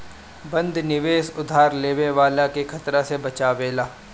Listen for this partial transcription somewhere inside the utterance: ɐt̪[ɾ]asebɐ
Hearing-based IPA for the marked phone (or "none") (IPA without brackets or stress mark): ɾ